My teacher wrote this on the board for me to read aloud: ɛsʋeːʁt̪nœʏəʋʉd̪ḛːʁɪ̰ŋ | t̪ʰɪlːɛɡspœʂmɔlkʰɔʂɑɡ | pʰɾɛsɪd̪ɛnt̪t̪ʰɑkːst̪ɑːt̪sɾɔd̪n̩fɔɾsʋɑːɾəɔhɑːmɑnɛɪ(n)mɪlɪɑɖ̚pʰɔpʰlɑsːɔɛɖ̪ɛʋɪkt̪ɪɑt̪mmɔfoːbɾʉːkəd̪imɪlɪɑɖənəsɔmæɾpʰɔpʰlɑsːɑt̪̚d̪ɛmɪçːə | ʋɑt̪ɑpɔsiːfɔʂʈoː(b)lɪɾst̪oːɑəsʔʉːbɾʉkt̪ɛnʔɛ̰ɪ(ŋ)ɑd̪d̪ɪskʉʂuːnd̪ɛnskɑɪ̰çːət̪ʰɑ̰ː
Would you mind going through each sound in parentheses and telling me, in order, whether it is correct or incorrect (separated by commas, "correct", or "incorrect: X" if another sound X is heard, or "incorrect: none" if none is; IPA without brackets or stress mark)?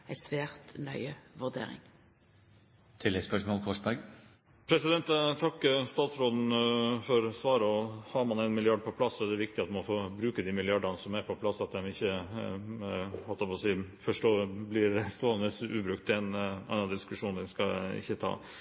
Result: correct, correct, incorrect: n